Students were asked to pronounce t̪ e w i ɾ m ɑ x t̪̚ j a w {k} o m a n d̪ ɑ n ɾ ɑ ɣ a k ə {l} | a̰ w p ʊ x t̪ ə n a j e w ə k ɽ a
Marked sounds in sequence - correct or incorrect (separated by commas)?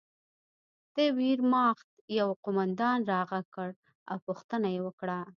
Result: incorrect, incorrect